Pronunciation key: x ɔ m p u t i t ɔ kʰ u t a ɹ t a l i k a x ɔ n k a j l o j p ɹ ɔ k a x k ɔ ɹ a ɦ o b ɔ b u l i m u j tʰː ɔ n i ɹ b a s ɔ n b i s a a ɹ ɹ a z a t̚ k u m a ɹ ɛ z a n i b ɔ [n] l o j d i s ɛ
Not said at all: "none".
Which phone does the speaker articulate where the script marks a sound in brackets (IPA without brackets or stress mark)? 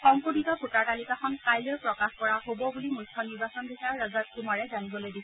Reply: none